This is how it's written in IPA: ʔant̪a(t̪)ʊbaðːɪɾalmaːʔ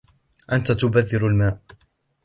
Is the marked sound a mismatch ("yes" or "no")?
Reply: no